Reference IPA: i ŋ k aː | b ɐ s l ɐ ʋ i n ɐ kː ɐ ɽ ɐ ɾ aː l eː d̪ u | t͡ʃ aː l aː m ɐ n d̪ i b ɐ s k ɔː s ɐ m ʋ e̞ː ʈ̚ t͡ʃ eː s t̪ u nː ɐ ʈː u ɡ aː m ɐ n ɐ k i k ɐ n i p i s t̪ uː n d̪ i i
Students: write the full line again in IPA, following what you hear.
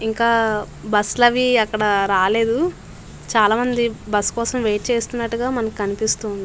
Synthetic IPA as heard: i ŋ k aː | b ɐ s l ɐ ʋ i ɐ kː ɐ ɽ ɐ ɾ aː l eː d̪ u | t͡ʃ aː l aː m ɐ n d̪ i b ɐ s k ɔː s ɐ m ʋ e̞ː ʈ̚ t͡ʃ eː s t̪ u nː ɐ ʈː u ɡ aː m ɐ n ɐ k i k ɐ n i p i s t̪ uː n d̪ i i